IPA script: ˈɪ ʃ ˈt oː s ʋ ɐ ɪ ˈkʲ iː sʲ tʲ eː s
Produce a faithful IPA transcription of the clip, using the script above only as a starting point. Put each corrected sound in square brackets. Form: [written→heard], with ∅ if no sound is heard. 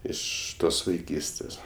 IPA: ˈɪ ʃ ˈt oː s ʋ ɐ ɪ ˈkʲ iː sʲ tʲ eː s

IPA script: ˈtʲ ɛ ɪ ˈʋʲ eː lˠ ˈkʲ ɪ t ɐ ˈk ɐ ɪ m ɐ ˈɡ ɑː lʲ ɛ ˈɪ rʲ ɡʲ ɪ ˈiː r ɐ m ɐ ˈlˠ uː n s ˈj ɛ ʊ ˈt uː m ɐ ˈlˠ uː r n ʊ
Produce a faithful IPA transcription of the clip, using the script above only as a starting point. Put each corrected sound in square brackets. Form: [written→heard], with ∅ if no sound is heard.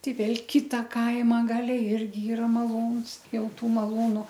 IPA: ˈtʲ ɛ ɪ ˈʋʲ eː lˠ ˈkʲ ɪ t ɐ ˈk ɐ ɪ m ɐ ˈɡ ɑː lʲ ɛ ˈɪ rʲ ɡʲ ɪ ˈiː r ɐ m ɐ ˈlˠ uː n s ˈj ɛ ʊ ˈt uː m ɐ ˈlˠ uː [r→∅] n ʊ

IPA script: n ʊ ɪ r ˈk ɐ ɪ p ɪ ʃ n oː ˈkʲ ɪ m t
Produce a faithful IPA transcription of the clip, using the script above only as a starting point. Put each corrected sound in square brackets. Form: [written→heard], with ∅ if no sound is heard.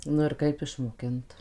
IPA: n ʊ ɪ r ˈk ɐ ɪ p ɪ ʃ [n→m] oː ˈkʲ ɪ [m→n] t

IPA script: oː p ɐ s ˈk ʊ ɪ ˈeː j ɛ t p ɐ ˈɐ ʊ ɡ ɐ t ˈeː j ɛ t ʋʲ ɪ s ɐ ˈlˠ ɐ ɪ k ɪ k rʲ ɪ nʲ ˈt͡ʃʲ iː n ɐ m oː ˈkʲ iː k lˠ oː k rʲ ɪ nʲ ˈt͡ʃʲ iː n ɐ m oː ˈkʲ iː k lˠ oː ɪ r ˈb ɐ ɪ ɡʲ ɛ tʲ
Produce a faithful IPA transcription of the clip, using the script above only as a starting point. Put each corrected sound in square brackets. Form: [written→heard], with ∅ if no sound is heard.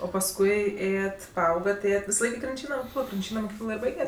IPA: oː p ɐ s ˈk ʊ ɪ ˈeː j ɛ t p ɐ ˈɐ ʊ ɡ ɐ t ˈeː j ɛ t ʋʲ ɪ s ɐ ˈlˠ ɐ ɪ k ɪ k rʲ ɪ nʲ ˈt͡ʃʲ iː n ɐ m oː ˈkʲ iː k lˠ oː k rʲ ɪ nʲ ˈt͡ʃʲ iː n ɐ m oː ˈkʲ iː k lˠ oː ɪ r ˈb ɐ ɪ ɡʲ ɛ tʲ

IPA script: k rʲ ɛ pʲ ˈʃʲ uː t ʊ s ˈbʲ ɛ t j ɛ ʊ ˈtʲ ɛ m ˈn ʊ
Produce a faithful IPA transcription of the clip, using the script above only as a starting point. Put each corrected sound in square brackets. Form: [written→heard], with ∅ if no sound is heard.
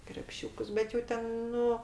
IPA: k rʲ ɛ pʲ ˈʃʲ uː [t→k] ʊ s ˈbʲ ɛ t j ɛ ʊ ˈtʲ ɛ [m→n] ˈn ʊ

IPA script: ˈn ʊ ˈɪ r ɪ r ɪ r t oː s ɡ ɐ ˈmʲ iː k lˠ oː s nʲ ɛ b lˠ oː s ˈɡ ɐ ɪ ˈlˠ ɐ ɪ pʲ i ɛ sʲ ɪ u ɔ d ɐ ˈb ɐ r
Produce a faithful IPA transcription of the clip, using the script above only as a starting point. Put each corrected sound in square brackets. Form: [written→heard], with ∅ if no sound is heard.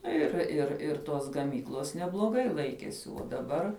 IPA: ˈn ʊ ˈɪ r ɪ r ɪ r t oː s ɡ ɐ ˈmʲ iː k lˠ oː s nʲ ɛ b lˠ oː [s→∅] ˈɡ ɐ ɪ ˈlˠ ɐ ɪ [pʲ→kʲ] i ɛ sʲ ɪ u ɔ d ɐ ˈb ɐ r

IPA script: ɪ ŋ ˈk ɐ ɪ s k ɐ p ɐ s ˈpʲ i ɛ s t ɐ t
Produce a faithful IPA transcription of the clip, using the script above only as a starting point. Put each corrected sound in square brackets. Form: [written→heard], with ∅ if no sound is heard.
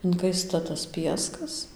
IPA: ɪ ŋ ˈk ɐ ɪ s [k→t] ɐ [p→t] ɐ s ˈpʲ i ɛ s [t→k] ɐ [t→s]

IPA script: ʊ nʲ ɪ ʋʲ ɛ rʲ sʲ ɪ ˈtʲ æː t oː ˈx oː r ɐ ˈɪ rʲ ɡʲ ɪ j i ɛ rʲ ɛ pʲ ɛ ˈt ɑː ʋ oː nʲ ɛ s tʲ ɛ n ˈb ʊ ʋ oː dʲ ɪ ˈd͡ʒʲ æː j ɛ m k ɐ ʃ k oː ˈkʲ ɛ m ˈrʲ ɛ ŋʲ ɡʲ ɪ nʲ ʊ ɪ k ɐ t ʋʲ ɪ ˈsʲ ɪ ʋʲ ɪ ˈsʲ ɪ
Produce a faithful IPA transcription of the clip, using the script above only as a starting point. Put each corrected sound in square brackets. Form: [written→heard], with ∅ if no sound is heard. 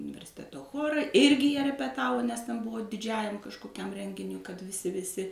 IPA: ʊ nʲ ɪ ʋʲ ɛ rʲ sʲ ɪ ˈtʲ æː t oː ˈx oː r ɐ ˈɪ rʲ ɡʲ ɪ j i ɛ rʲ ɛ pʲ ɛ ˈt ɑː ʋ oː nʲ ɛ s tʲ ɛ n ˈb ʊ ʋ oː dʲ ɪ ˈd͡ʒʲ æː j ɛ m k ɐ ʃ k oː ˈkʲ ɛ m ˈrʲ ɛ ŋʲ ɡʲ ɪ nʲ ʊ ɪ k ɐ t ʋʲ ɪ ˈsʲ ɪ ʋʲ ɪ ˈsʲ ɪ

